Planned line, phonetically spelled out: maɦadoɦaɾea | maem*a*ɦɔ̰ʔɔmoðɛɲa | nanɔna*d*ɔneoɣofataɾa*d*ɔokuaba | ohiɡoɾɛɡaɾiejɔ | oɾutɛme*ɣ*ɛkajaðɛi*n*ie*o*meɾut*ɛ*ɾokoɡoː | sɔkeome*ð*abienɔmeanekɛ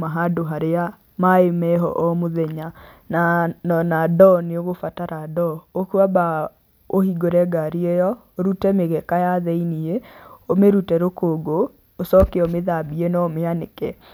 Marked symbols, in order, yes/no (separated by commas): no, yes, yes, yes, yes, yes, yes, yes